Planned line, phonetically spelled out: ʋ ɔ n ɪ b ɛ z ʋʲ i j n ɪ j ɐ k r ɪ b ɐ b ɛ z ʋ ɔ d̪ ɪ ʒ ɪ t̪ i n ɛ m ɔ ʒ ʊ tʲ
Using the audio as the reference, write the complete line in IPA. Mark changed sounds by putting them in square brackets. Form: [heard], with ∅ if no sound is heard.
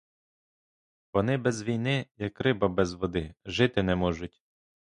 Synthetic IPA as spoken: ʋ ɔ n ɪ b ɛ z ʋʲ i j n ɪ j ɐ k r ɪ b ɐ b ɛ z ʋ ɔ d̪ ɪ ʒ ɪ t̪ [ɪ] n ɛ m ɔ ʒ ʊ tʲ

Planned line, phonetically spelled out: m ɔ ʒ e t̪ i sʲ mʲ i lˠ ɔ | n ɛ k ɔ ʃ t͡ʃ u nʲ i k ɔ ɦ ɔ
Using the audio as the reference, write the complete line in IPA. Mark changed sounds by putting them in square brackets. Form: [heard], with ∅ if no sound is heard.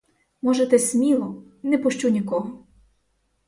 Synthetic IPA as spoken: m ɔ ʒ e t̪ [ɛ] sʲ mʲ i lˠ ɔ | n ɛ [p] ɔ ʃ t͡ʃ u nʲ i k ɔ ɦ ɔ

